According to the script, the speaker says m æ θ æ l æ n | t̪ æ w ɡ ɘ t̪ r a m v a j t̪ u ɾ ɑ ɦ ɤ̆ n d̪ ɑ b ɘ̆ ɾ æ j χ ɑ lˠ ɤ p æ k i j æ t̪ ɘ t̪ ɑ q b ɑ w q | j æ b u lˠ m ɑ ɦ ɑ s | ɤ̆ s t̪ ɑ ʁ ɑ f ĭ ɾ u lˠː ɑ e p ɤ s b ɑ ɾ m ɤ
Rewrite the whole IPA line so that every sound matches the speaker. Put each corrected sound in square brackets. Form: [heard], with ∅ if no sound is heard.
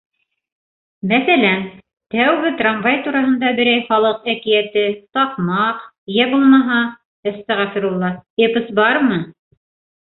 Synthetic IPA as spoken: m æ θ æ l æ n | t̪ æ w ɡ ɘ t̪ r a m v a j t̪ u ɾ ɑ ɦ ɤ̆ n d̪ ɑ b ɘ̆ ɾ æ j χ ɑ lˠ ɤ [q] æ k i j æ t̪ ɘ t̪ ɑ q [m] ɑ [∅] q | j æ b u lˠ m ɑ ɦ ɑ [∅] | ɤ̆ s t̪ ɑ ʁ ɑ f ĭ ɾ u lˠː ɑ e p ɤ s b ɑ ɾ m ɤ

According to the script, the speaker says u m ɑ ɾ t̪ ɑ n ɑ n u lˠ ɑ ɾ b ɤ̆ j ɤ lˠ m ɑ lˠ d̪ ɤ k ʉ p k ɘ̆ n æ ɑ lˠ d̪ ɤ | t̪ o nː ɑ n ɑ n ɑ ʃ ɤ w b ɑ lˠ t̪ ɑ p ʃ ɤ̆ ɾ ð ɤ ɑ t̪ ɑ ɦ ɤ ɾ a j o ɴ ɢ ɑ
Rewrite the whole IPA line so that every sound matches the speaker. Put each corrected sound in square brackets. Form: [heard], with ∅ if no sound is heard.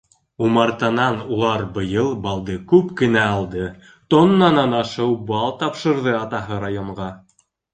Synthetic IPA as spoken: u m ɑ ɾ t̪ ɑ n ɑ n u lˠ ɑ ɾ b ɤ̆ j ɤ lˠ [b] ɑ lˠ d̪ ɤ k ʉ p k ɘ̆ n æ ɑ lˠ d̪ ɤ | t̪ o nː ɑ n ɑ n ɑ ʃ ɤ w b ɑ lˠ t̪ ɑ p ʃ ɤ̆ ɾ ð ɤ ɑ t̪ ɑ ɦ ɤ ɾ a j o ɴ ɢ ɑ

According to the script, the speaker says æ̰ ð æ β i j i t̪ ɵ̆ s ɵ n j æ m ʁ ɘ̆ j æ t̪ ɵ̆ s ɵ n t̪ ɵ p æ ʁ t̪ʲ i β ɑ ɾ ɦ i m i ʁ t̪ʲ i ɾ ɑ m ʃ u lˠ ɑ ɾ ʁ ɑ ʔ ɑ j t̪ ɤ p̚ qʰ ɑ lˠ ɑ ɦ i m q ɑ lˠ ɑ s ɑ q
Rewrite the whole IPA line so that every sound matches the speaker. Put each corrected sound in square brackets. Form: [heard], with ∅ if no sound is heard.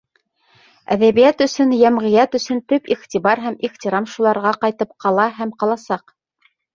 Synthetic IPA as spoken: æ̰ ð æ β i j [æ] t̪ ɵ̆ s ɵ n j æ m ʁ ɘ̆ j æ t̪ ɵ̆ s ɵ n t̪ ɵ p [i] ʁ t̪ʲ i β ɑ ɾ ɦ [æ] m i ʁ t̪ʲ i ɾ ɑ m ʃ u lˠ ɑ ɾ ʁ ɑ [q] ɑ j t̪ ɤ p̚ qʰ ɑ lˠ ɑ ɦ [æ] m q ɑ lˠ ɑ s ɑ q

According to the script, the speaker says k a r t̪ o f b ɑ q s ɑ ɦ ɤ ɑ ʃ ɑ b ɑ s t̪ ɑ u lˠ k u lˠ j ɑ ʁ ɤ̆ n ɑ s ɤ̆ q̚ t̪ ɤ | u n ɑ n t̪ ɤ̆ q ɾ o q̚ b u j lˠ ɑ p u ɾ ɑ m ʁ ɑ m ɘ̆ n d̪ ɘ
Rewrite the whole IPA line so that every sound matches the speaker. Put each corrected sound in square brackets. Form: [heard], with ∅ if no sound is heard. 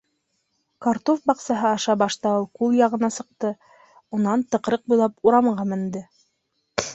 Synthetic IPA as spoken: k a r t̪ o f b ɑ q s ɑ ɦ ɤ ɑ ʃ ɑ b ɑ [ʃ] t̪ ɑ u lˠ k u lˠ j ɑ ʁ ɤ̆ n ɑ s ɤ̆ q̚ t̪ ɤ | u n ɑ n t̪ ɤ̆ q ɾ [ɤ] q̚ b u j lˠ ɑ p u ɾ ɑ m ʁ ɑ m ɘ̆ n d̪ ɘ

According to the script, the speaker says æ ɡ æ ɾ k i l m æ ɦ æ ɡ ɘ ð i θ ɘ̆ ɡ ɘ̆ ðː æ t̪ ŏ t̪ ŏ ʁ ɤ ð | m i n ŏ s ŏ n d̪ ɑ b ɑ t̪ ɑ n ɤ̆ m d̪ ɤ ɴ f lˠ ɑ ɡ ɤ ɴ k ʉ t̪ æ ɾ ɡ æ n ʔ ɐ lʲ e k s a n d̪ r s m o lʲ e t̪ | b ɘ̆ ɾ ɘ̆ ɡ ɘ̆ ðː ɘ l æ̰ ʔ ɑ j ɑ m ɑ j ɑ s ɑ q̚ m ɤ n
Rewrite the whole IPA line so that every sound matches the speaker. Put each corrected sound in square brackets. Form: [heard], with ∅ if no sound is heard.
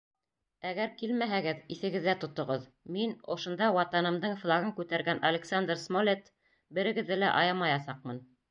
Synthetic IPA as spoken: æ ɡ æ ɾ k i l m æ ɦ æ ɡ ɘ ð i θ ɘ̆ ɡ ɘ̆ ðː æ t̪ ŏ t̪ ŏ ʁ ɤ ð | m i n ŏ [ʃ] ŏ n d̪ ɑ [w] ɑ t̪ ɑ n ɤ̆ m d̪ ɤ ɴ f lˠ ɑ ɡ ɤ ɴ k ʉ t̪ æ ɾ ɡ æ n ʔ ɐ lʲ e k s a n d̪ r s m o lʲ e t̪ | b ɘ̆ ɾ ɘ̆ ɡ ɘ̆ ðː ɘ l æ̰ ʔ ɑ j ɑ m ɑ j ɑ s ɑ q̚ m ɤ n

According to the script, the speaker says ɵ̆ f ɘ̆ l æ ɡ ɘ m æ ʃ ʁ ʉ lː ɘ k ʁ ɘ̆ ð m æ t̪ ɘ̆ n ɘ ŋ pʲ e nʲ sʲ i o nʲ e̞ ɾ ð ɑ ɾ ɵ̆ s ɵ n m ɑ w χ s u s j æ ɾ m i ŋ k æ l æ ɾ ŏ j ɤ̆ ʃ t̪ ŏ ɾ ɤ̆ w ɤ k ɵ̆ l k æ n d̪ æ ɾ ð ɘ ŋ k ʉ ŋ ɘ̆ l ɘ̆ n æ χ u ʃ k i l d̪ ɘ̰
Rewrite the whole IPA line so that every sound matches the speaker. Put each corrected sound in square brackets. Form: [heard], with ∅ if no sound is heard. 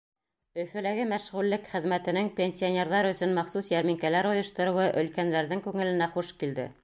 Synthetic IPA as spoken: ɵ̆ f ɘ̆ l æ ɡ ɘ m æ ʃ ʁ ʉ lː ɘ k [χ] ɘ̆ ð m æ t̪ ɘ̆ n ɘ ŋ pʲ e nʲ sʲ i o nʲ e̞ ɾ ð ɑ ɾ ɵ̆ s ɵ n m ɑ [∅] χ s u s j æ ɾ m i ŋ k æ l æ ɾ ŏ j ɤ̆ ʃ t̪ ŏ ɾ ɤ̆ w ɤ [ʔ] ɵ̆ l k æ n d̪ æ ɾ ð ɘ ŋ k ʉ ŋ ɘ̆ l ɘ̆ n æ χ u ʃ k i l d̪ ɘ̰

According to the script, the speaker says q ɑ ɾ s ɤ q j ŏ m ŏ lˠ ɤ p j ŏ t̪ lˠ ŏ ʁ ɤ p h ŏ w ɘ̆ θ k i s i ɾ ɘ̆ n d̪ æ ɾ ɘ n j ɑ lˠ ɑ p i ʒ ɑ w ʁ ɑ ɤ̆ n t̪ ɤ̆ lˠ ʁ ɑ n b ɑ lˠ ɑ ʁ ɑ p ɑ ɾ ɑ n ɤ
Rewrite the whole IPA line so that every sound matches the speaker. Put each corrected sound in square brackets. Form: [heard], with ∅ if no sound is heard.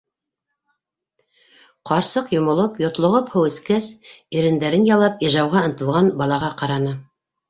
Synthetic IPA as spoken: q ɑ ɾ s ɤ q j ŏ m ŏ lˠ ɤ p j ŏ t̪ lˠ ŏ ʁ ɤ p h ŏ w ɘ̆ [s] k [æ] s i ɾ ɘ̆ n d̪ æ ɾ ɘ n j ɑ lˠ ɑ p i ʒ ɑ w ʁ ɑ ɤ̆ n t̪ ɤ̆ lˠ ʁ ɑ n b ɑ lˠ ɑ ʁ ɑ [q] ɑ ɾ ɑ n ɤ

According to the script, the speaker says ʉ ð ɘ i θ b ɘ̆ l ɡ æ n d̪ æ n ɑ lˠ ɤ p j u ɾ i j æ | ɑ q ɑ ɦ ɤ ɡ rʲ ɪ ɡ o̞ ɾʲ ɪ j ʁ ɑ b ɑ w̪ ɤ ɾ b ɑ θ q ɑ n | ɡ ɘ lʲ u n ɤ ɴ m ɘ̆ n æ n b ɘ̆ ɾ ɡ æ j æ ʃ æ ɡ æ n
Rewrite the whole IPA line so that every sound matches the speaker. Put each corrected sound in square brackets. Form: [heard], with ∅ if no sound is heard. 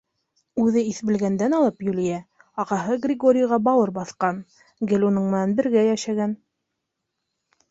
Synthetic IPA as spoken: ʉ ð ɘ i θ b ɘ̆ l ɡ æ n d̪ æ n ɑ lˠ ɤ p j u [l] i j æ | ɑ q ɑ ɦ ɤ ɡ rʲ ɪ ɡ o̞ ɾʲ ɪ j ʁ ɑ b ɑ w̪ ɤ ɾ b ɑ θ q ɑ n | ɡ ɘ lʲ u n ɤ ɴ m ɘ̆ n æ n b ɘ̆ ɾ ɡ æ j æ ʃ æ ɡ æ n

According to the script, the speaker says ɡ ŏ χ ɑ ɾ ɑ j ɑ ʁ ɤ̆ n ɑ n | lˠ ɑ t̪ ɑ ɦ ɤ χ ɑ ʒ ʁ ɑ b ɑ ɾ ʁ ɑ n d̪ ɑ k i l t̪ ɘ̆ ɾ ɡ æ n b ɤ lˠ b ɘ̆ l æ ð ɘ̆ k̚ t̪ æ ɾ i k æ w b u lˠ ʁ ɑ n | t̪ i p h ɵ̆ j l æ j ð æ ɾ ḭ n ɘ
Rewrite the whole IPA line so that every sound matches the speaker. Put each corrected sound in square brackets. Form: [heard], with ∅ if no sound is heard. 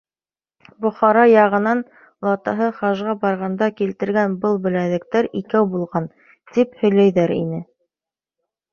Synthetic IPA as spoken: [b] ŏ χ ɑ ɾ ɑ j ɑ ʁ ɤ̆ n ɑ n | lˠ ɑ t̪ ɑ ɦ ɤ χ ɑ ʒ ʁ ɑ b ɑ ɾ ʁ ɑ n d̪ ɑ k i l t̪ ɘ̆ ɾ ɡ æ n b ɤ lˠ b ɘ̆ l æ ð ɘ̆ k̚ t̪ æ ɾ i k æ w b u lˠ ʁ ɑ n | t̪ i p h ɵ̆ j l æ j ð æ ɾ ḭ n ɘ

